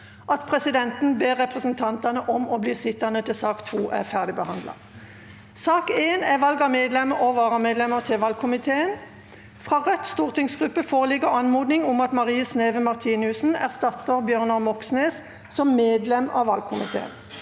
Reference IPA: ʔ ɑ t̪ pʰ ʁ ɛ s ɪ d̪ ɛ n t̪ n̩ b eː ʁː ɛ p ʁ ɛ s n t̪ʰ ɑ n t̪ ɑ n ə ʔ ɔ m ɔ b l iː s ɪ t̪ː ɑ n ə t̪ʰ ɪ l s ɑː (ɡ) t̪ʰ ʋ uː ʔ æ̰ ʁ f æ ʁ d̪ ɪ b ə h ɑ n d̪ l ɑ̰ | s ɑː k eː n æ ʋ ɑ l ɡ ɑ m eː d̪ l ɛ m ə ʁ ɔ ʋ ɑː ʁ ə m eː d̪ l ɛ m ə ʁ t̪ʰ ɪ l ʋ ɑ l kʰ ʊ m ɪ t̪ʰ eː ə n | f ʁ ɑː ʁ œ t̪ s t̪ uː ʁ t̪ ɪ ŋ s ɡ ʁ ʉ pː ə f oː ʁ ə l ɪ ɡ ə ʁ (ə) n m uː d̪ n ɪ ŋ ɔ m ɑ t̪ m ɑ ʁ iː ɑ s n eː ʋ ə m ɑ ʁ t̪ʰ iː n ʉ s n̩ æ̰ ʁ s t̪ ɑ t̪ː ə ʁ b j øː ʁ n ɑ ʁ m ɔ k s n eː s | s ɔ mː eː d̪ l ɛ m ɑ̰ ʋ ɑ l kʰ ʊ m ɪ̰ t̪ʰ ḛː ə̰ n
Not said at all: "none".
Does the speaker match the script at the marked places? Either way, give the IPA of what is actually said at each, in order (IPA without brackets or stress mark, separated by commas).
k, ɑ